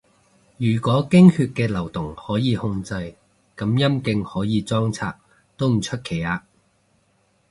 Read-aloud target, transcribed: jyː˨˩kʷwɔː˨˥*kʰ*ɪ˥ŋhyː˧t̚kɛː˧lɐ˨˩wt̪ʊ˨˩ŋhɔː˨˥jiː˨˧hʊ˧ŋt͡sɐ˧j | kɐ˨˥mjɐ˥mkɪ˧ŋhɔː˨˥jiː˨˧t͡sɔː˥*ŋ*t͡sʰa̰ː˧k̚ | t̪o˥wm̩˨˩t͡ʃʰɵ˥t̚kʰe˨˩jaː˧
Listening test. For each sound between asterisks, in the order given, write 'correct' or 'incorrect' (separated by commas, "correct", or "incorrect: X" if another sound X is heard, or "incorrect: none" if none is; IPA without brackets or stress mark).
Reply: incorrect: k, correct